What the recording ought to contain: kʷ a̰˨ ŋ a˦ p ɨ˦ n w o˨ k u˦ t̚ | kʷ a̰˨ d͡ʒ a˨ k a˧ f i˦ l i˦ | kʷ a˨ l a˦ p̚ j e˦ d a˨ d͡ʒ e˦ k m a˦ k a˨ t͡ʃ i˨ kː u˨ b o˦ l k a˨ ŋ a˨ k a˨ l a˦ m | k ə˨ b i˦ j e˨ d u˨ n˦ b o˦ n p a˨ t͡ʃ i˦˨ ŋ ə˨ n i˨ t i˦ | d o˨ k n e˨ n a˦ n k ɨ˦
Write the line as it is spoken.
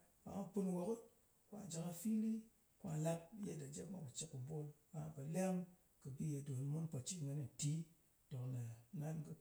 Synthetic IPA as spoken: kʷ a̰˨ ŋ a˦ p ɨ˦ n w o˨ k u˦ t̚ | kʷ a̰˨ d͡ʒ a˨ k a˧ f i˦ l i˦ | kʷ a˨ l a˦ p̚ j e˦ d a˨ d͡ʒ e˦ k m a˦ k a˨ t͡ʃ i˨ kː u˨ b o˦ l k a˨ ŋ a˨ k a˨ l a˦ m | k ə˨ b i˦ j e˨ d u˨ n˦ m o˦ n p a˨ t͡ʃ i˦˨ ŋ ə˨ n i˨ t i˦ | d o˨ k n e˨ n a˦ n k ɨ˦